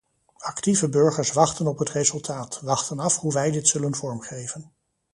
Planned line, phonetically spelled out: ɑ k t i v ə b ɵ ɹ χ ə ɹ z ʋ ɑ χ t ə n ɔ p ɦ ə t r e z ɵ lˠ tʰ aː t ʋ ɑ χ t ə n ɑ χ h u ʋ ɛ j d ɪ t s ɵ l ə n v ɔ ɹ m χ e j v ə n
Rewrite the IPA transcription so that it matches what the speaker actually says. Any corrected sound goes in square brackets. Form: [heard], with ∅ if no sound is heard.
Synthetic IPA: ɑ k t i v ə b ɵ ɹ χ ə ɹ [s] ʋ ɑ χ t ə n ɔ p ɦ ə t r e z ɵ lˠ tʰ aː t ʋ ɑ χ t ə n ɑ [f] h u ʋ ɛ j d ɪ t s ɵ l ə n v ɔ ɹ m χ e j v ə n

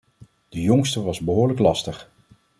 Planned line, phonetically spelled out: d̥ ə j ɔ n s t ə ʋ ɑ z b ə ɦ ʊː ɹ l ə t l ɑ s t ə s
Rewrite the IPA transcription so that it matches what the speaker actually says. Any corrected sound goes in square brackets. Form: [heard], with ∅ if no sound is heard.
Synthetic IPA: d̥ ə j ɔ [ŋ] s t ə ʋ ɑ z b ə ɦ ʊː ɹ l ə [k] l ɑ s t ə [χ]

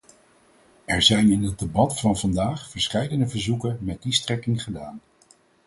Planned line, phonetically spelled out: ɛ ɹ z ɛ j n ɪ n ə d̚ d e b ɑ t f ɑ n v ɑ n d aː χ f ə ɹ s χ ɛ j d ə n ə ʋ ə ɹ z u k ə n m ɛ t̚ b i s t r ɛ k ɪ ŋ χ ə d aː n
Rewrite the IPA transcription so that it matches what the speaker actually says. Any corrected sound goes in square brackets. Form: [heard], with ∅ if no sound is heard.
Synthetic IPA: ɛ ɹ z ɛ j n ɪ n ə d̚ d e b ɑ t f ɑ n v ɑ n d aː χ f ə ɹ s χ ɛ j d ə n ə [v] ə ɹ z u k ə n m ɛ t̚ [d] i s t r ɛ k ɪ ŋ χ ə d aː n

